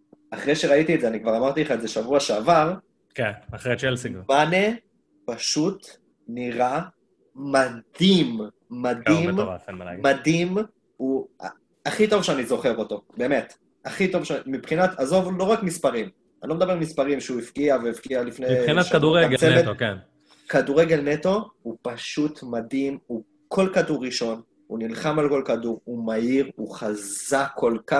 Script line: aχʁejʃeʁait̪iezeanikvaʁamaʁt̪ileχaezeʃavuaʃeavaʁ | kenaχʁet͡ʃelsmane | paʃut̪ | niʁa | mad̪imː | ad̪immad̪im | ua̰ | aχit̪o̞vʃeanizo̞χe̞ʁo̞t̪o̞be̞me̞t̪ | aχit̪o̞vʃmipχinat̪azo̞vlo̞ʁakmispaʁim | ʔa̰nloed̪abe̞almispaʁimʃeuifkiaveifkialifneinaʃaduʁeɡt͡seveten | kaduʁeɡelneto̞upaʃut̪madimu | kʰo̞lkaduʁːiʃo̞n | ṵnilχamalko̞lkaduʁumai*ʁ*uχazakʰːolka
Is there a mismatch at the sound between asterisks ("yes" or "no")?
no